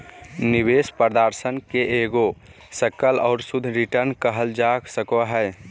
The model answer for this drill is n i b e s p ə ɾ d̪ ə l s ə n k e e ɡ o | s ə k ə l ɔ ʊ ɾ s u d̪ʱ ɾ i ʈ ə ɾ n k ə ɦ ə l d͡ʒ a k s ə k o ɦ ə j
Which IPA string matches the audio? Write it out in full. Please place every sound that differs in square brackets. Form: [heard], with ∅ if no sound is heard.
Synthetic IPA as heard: n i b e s p ə ɾ d̪ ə [ɾ] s ə n k e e ɡ o | s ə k ə l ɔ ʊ ɾ s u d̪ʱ ɾ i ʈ ə ɾ n k ə ɦ ə l d͡ʒ a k s ə k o ɦ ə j